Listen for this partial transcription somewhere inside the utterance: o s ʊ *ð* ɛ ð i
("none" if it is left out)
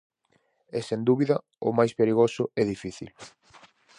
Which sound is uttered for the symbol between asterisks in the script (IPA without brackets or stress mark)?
none